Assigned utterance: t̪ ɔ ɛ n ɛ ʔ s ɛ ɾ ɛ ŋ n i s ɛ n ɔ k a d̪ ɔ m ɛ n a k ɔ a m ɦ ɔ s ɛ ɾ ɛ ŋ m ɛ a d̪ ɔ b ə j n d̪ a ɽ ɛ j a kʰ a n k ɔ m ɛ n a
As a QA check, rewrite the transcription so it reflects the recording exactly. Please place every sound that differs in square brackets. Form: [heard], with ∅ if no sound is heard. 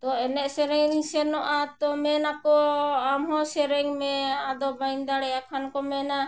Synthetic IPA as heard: t̪ ɔ ɛ n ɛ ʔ s ɛ ɾ ɛ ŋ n i s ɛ n ɔ [ʔ] a [t̪] ɔ m ɛ n a k ɔ a m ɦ ɔ s ɛ ɾ ɛ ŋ m ɛ a d̪ ɔ b [a] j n d̪ a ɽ ɛ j a kʰ a n k ɔ m ɛ n a

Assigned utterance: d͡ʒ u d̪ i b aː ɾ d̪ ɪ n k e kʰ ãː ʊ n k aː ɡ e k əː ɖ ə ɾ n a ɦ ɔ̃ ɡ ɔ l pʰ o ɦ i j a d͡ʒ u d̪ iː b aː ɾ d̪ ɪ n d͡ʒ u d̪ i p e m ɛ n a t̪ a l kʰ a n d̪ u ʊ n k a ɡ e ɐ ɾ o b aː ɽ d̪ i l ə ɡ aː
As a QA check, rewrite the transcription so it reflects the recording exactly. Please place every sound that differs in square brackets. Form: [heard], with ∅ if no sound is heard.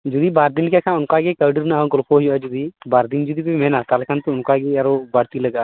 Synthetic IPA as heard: d͡ʒ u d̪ i b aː ɾ d̪ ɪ n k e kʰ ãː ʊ n k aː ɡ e k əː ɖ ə ɾ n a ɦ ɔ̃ ɡ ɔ l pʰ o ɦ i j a d͡ʒ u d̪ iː b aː ɾ d̪ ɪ n d͡ʒ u d̪ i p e m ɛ n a t̪ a l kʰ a n [t̪] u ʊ n k a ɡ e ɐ ɾ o b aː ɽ [t̪] i l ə ɡ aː

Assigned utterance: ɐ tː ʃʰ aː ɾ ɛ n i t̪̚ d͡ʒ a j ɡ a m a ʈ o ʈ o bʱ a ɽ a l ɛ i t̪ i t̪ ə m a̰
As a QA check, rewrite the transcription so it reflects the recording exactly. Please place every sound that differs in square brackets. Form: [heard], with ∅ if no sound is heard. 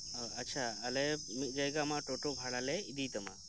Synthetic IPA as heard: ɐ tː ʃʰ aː [l] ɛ [m] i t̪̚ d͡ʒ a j ɡ a m a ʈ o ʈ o bʱ a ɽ a l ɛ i [d̪] i t̪ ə m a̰

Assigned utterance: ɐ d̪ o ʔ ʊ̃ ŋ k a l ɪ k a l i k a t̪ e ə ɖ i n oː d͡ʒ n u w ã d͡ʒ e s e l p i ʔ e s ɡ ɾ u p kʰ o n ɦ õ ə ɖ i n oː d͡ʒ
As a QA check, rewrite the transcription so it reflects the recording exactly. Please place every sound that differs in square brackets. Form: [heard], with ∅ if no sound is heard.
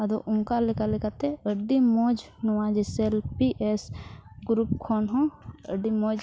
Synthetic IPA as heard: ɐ d̪ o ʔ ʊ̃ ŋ k a l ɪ k a l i k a t̪ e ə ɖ i [m] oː d͡ʒ n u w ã d͡ʒ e s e l p i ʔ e s ɡ ɾ u p kʰ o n ɦ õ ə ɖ i [m] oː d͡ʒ

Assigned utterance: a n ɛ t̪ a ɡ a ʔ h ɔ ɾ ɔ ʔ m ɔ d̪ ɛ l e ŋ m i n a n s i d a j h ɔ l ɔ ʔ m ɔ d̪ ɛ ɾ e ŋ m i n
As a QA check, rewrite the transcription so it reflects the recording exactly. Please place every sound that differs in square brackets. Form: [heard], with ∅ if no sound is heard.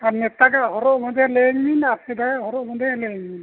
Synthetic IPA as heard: a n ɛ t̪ a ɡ a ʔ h ɔ ɾ ɔ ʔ m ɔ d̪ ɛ l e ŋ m i n a [∅] s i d a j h ɔ [ɾ] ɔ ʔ m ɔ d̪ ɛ [l] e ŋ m i n

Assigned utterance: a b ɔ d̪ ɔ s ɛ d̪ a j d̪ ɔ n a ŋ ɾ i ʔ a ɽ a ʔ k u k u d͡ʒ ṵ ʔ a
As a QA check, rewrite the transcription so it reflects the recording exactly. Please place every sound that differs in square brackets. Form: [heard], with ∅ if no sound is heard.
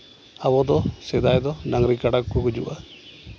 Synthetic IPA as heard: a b ɔ d̪ ɔ s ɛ d̪ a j d̪ ɔ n a ŋ ɾ i [k] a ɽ a [k] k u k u d͡ʒ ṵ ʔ a

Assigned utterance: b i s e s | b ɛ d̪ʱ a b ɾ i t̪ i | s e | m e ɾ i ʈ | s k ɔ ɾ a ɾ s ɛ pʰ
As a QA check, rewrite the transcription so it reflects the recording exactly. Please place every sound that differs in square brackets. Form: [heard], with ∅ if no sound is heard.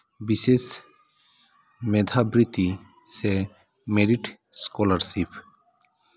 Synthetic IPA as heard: b i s e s | [m] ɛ d̪ʱ a b ɾ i t̪ i | s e | m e ɾ i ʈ | s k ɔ [l] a ɾ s [i] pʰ

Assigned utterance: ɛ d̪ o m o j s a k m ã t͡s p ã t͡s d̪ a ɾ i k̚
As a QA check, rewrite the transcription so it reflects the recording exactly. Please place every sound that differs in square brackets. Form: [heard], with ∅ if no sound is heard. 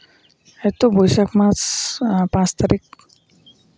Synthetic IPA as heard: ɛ [t̪] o [b] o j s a k m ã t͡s p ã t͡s [t̪] a ɾ i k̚

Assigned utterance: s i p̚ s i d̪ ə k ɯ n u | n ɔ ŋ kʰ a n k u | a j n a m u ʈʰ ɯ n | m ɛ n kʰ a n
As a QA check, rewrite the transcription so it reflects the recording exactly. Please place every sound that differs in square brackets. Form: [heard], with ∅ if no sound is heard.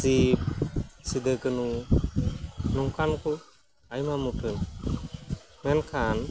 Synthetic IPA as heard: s i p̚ s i d̪ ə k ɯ n u | n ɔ ŋ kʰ a n k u | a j [m] a m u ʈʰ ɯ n | m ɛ n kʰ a n

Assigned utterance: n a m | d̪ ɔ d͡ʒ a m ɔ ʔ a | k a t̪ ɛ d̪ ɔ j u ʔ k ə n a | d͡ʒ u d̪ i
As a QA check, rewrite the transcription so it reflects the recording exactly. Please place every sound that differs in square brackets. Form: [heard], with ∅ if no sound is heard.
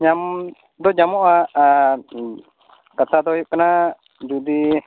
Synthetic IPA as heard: [ɲ] a m | d̪ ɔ d͡ʒ a m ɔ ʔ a | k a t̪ [a] d̪ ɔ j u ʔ k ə n a | d͡ʒ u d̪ i

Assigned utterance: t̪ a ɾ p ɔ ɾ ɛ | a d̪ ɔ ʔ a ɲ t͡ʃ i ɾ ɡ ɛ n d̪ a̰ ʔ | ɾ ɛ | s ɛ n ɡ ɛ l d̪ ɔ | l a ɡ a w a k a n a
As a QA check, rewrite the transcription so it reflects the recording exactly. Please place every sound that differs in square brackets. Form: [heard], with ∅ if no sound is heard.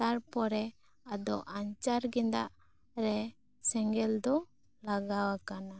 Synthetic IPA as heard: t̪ a ɾ p ɔ ɾ ɛ | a d̪ ɔ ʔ a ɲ t͡ʃ [a] ɾ ɡ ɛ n d̪ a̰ ʔ | ɾ ɛ | s ɛ [ŋ] ɡ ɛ l d̪ ɔ | l a ɡ a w a k a n a

